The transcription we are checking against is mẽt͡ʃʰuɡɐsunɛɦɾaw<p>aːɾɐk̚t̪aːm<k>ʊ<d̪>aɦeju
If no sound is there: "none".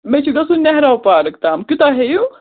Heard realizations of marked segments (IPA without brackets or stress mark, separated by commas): p, k, t̪